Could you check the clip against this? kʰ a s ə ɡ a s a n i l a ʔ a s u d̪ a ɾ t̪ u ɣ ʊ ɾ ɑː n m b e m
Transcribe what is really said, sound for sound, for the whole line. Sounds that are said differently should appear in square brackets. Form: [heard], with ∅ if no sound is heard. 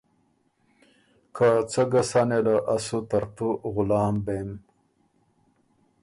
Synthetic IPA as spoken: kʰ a [t͡s] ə ɡ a s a n [e] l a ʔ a s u [t̪] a ɾ t̪ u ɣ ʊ [l] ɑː [∅] m b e m